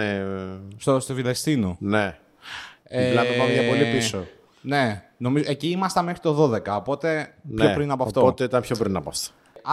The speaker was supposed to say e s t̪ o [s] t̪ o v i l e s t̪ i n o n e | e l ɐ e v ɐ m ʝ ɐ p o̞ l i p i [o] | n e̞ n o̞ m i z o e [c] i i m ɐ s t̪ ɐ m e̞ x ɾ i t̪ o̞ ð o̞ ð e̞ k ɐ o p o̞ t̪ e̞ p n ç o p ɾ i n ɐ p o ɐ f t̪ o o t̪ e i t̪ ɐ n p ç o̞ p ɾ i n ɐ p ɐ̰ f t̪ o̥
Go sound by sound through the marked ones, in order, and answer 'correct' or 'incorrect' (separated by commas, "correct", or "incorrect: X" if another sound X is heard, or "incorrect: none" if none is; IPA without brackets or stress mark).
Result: correct, correct, correct